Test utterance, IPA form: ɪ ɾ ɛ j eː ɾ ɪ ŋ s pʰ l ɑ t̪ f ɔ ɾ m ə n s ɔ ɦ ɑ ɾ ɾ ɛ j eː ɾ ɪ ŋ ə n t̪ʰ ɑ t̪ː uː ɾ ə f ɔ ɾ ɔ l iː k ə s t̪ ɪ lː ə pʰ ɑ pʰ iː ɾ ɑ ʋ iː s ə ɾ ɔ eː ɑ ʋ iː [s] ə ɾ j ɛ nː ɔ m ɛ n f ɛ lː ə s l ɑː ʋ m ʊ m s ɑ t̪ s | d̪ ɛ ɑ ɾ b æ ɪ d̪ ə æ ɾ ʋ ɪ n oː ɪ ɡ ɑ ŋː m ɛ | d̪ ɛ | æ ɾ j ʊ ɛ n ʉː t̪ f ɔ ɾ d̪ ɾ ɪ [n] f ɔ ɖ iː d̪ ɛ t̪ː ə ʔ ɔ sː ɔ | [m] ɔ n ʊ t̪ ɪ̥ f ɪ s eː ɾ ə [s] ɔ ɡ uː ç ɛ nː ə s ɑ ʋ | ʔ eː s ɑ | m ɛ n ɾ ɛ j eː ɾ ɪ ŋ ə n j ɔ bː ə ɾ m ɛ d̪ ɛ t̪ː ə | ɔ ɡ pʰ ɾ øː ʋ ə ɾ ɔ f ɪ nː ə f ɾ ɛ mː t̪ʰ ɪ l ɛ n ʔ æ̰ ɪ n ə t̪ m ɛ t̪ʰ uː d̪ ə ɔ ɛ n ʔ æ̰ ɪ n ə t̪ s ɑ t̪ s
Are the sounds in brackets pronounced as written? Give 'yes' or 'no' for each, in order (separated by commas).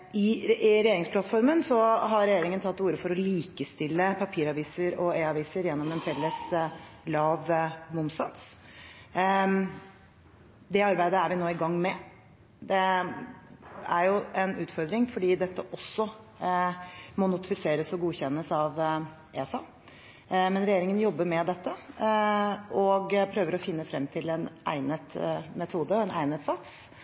yes, no, yes, yes